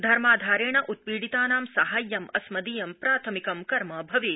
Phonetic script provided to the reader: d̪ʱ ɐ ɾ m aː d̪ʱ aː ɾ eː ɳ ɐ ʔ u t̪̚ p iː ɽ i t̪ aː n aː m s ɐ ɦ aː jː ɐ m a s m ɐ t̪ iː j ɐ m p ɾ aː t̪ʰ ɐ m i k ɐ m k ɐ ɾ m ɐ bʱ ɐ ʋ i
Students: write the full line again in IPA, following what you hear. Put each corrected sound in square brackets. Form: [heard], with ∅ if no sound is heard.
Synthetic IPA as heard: d̪ʱ ɐ ɾ m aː d̪ʱ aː ɾ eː ɳ ɐ ʔ u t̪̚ p iː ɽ i t̪ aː n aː m s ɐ ɦ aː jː ɐ m [ɐ] s m ɐ [d̪] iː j ɐ m p ɾ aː t̪ʰ ɐ m i k ɐ m k ɐ ɾ m ɐ bʱ ɐ ʋ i